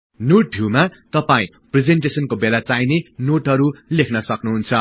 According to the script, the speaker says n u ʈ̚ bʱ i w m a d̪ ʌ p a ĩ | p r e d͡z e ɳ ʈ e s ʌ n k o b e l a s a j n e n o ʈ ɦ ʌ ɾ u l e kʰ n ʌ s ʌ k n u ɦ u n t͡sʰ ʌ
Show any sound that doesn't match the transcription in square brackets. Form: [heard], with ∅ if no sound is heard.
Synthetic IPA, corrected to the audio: n [o] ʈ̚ bʱ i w m a [t̪] ʌ p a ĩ | p r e d͡z e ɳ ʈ e s ʌ n k o b e l a [t͡s] a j n e n o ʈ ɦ ʌ ɾ u l e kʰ n ʌ s ʌ k n u ɦ u n t͡sʰ ʌ